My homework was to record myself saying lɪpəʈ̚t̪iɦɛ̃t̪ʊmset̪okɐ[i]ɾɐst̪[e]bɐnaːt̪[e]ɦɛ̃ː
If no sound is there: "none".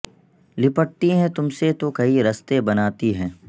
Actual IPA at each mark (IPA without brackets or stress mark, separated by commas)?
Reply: i, e, i